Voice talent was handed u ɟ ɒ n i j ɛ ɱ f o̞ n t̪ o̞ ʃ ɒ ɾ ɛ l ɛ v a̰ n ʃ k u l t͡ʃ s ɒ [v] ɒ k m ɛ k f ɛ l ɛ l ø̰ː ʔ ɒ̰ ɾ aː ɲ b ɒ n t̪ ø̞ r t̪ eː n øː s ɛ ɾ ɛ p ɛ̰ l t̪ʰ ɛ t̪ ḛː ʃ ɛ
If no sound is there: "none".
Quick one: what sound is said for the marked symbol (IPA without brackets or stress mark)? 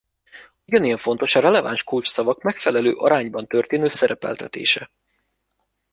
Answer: v